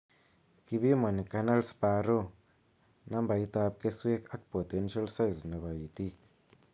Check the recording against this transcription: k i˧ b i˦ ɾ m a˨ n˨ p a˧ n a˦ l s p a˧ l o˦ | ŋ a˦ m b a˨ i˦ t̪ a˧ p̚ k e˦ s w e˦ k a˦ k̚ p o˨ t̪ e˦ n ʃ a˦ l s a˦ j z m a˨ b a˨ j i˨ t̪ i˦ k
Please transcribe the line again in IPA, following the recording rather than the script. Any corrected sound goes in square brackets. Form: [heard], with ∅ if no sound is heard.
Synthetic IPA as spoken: k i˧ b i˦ [∅] m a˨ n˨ [k] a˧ n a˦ l s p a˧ [ɾ] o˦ | [n] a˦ m b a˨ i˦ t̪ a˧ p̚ k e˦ s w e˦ k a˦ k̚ p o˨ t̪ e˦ n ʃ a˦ l s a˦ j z [n] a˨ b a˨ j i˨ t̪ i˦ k